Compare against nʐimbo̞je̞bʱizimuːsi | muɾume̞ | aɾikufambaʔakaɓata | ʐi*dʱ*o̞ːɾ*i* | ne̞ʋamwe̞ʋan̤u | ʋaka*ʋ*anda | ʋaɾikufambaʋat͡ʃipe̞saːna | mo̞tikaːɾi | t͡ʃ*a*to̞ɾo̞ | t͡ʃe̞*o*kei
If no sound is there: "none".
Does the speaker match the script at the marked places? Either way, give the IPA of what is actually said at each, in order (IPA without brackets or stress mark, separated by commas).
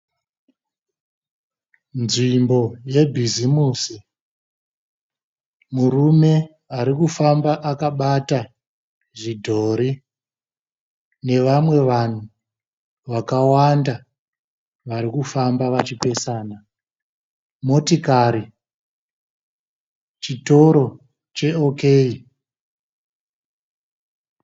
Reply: dʱ, i, w, i, o